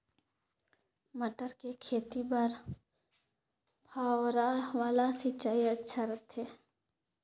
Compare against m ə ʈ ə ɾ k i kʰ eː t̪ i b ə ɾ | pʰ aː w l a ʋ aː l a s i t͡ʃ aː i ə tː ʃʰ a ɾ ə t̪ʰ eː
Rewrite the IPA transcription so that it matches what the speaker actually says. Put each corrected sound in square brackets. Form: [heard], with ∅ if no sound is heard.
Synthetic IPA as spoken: m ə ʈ ə ɾ k [e] kʰ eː t̪ i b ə ɾ | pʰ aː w [ɾ] a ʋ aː l a s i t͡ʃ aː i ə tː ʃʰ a ɾ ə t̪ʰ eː